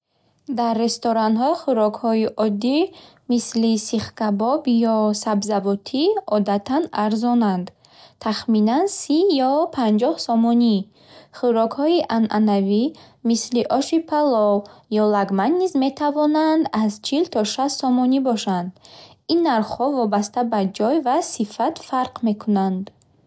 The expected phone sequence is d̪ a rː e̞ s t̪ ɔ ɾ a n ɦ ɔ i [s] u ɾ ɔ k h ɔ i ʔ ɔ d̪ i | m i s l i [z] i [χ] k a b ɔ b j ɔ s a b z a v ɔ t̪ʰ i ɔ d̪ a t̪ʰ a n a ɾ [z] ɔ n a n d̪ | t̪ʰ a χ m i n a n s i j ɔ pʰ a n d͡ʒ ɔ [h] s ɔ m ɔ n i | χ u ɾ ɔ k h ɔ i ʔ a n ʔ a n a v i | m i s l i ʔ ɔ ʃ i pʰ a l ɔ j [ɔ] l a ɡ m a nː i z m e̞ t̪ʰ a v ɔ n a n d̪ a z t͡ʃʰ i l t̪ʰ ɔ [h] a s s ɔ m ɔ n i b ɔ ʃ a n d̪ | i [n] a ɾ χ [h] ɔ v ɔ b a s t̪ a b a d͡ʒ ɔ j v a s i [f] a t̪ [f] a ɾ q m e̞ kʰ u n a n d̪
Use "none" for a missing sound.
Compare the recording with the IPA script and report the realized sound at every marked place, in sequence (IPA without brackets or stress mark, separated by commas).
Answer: χ, s, χ, z, h, ɔ, ʃ, nː, h, f, f